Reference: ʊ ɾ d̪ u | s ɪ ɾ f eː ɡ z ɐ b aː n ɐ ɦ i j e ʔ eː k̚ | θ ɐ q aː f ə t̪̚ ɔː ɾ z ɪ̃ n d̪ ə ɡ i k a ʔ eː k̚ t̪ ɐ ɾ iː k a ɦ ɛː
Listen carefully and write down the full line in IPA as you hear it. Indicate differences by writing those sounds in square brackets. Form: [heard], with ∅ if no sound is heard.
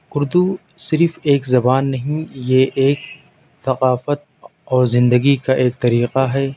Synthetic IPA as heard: ʊ ɾ d̪ u | s ɪ ɾ f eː [k] z ɐ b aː [nː] ɐ ɦ [ĩ] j e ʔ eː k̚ | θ ɐ q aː f ə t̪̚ ɔː ɾ z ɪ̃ n d̪ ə ɡ i k a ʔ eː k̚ t̪ ɐ ɾ iː [q] a ɦ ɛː

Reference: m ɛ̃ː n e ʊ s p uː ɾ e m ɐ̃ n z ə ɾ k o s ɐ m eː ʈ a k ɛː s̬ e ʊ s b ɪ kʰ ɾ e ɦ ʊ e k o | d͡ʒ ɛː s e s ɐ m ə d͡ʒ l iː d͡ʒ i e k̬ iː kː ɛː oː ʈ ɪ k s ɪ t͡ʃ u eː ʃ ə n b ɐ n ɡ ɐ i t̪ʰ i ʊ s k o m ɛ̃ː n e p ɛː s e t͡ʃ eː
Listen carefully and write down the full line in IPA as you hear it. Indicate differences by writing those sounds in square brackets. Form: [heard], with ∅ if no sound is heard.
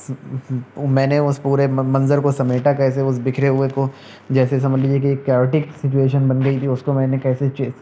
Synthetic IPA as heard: m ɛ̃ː n e ʊ s p uː ɾ e m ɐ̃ n z ə ɾ k o s ɐ m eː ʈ a k ɛː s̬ e ʊ s b ɪ kʰ ɾ e ɦ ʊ e k o | d͡ʒ ɛː s e s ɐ m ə d͡ʒ l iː d͡ʒ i e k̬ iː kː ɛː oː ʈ ɪ k s ɪ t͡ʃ u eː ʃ ə n b ɐ n ɡ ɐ i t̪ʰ i ʊ s k o m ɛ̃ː n e [k] ɛː s e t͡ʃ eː

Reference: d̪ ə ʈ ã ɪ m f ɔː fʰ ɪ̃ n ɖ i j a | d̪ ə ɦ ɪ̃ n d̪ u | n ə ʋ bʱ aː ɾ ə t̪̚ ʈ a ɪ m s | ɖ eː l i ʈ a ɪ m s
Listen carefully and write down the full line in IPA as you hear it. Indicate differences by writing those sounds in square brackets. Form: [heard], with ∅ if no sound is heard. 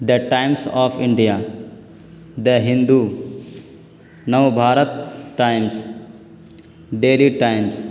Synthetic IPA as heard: d̪ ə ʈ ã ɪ m [s] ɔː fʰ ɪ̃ [ɳ] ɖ i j a | d̪ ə ɦ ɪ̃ n d̪ u | n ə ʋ bʱ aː ɾ ə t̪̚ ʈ a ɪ m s | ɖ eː l i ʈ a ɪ m s

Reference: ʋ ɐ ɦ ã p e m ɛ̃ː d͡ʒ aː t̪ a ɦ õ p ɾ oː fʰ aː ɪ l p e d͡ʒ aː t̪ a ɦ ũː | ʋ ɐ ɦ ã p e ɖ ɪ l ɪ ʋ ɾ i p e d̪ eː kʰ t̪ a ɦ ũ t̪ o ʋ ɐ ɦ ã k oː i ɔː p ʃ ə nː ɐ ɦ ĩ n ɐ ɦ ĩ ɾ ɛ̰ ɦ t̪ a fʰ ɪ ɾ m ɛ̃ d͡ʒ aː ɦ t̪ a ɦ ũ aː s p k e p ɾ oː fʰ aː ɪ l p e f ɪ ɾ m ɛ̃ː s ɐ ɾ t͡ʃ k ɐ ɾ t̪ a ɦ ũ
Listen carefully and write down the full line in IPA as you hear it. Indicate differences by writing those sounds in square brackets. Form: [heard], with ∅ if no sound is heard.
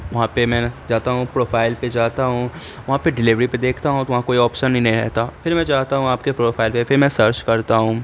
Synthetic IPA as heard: ʋ ɐ ɦ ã p e m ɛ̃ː d͡ʒ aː t̪ a ɦ [ũ] p ɾ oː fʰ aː ɪ l p e d͡ʒ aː t̪ a ɦ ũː | ʋ ɐ ɦ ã p e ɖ ɪ l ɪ ʋ ɾ i p e d̪ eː kʰ t̪ a ɦ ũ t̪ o ʋ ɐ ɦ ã k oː i ɔː p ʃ ə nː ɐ ɦ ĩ n ɐ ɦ ĩ ɾ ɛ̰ ɦ t̪ a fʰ ɪ ɾ m ɛ̃ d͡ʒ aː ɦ t̪ a ɦ ũ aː [∅] p k e p ɾ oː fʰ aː ɪ l p e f ɪ ɾ m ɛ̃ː s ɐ ɾ t͡ʃ k ɐ ɾ t̪ a ɦ ũ

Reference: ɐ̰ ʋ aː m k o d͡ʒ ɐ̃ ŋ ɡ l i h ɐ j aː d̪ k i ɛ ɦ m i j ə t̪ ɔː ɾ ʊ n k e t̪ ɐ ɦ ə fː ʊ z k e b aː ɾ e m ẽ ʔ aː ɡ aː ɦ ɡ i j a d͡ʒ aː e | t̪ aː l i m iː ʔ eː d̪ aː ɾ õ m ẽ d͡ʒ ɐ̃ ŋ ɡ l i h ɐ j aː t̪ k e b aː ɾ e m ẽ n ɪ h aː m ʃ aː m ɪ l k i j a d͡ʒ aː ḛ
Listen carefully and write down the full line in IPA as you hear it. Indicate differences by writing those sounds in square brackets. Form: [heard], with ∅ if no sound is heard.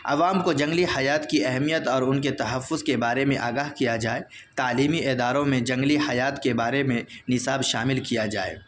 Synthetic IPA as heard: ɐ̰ ʋ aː m k o d͡ʒ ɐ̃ ŋ ɡ l i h ɐ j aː [t̪] k i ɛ ɦ m i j ə t̪ ɔː ɾ ʊ n k e t̪ ɐ ɦ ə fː ʊ z k e b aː ɾ e m ẽ ʔ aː ɡ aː ɦ [k] i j a d͡ʒ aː e | t̪ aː l [iː] m [i] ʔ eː d̪ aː ɾ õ m ẽ d͡ʒ ɐ̃ ŋ ɡ l i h ɐ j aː t̪ k e b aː ɾ e m ẽ n ɪ [s] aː [b] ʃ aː m ɪ l k i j a d͡ʒ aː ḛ

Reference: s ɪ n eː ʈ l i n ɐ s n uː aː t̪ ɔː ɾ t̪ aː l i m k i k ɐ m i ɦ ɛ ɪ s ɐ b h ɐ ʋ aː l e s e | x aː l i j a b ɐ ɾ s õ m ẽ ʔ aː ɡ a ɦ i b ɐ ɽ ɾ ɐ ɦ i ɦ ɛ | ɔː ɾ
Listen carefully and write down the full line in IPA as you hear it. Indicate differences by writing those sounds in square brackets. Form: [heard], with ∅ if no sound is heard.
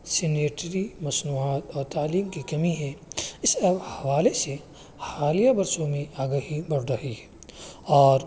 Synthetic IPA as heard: s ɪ n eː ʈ [ɾ] i [m] ɐ s n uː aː t̪ ɔː ɾ t̪ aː l [iː] m k i k ɐ m i ɦ ɛ ɪ s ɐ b h ɐ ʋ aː l e s e | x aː l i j a b ɐ ɾ s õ m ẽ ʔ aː ɡ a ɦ i b ɐ ɽ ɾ ɐ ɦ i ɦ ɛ | ɔː ɾ

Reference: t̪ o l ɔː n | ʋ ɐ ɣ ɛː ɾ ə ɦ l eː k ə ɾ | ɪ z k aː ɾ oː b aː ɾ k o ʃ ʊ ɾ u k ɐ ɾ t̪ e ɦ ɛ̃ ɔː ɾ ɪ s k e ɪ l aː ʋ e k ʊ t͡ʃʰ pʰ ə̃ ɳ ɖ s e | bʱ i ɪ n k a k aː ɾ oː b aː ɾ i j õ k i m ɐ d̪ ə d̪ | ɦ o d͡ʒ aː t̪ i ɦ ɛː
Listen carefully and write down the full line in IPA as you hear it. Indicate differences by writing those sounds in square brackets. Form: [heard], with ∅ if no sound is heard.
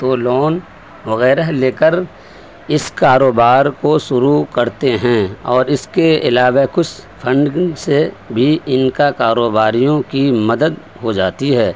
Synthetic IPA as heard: t̪ o l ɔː n | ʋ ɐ ɣ ɛː ɾ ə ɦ l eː k ə ɾ | ɪ [s] k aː ɾ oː b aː ɾ k o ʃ ʊ ɾ u k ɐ ɾ t̪ e ɦ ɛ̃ ɔː ɾ ɪ s k e ɪ l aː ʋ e k ʊ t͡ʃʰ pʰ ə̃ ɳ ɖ s e | bʱ i ɪ n k a k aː ɾ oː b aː ɾ i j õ k i m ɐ d̪ ə d̪ | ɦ o d͡ʒ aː t̪ i ɦ ɛː

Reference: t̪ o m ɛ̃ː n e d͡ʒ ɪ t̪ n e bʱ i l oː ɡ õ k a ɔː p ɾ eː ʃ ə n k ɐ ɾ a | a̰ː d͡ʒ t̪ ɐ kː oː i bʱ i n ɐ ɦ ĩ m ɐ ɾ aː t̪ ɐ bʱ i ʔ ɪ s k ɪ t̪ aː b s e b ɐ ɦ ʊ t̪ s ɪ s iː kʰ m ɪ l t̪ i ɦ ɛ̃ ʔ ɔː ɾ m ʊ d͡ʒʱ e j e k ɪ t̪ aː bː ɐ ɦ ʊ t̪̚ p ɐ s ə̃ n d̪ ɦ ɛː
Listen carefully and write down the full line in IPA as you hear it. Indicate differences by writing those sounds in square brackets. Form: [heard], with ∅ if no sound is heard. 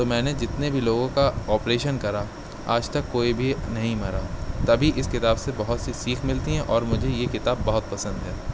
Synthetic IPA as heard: t̪ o m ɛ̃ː n e d͡ʒ ɪ t̪ n e bʱ i l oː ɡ õ k a ɔː p ɾ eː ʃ ə n k ɐ ɾ a | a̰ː d͡ʒ t̪ ɐ kː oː i bʱ i n ɐ ɦ ĩ m ɐ ɾ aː t̪ ɐ bʱ i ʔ ɪ s k ɪ t̪ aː b s e b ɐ ɦ ʊ t̪ s [i] s iː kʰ m ɪ l t̪ i ɦ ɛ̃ ʔ ɔː ɾ m ʊ d͡ʒʱ e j e k ɪ t̪ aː bː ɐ ɦ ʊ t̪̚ p ɐ s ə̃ n d̪ ɦ ɛː

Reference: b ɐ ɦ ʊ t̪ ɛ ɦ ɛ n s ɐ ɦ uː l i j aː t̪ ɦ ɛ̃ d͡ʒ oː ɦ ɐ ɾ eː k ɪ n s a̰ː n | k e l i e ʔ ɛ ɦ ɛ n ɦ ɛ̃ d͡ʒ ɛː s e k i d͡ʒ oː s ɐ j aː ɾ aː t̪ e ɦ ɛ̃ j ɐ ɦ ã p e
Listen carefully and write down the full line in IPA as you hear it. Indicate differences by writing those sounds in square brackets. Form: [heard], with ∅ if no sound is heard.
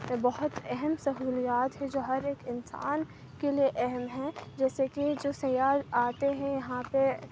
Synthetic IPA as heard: b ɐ ɦ ʊ t̪ ɛ ɦ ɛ [m] s ɐ ɦ uː l i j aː t̪ ɦ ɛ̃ d͡ʒ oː ɦ ɐ ɾ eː k ɪ n s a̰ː n | k e l i e ʔ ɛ ɦ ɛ [m] ɦ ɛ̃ d͡ʒ ɛː s e k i d͡ʒ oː s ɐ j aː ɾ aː t̪ e ɦ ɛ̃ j ɐ ɦ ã p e

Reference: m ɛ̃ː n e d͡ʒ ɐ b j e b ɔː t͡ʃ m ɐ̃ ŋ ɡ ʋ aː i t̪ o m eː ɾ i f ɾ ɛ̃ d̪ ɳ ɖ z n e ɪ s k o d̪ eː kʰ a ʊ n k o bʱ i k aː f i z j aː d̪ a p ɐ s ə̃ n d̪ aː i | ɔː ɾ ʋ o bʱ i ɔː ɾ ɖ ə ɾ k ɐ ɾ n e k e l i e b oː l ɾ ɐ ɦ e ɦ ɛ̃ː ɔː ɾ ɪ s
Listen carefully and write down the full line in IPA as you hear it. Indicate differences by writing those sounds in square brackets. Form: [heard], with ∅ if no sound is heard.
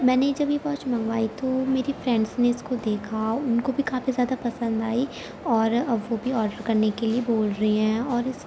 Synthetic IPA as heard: m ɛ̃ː n e d͡ʒ ɐ b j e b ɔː t͡ʃ m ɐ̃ ŋ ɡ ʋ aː i t̪ o m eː ɾ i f ɾ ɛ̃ [∅] ɳ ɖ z n e ɪ s k o d̪ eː kʰ a ʊ n k o bʱ i k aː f i z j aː d̪ a p ɐ s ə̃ n d̪ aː i | ɔː ɾ ʋ o bʱ i ɔː ɾ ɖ ə ɾ k ɐ ɾ n e k e l i e b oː l ɾ ɐ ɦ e ɦ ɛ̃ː ɔː ɾ ɪ s

